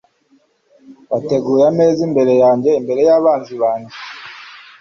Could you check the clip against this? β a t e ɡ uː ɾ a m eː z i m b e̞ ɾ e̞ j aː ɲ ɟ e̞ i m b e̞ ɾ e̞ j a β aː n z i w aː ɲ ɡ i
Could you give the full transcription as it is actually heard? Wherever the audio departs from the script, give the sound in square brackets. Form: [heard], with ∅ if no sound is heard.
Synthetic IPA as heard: β a t e ɡ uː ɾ a m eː z i m b e̞ ɾ e̞ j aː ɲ ɟ e̞ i m b e̞ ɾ e̞ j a β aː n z i [β] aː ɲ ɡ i